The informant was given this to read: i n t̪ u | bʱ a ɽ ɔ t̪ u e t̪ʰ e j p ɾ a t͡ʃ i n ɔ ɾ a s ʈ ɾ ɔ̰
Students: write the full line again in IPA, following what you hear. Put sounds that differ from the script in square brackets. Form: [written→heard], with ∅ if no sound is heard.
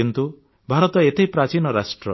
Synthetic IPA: i n t̪ u | bʱ a [ɽ→ɾ] ɔ t̪ [u→ɔ] e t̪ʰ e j p ɾ a t͡ʃ i n ɔ ɾ a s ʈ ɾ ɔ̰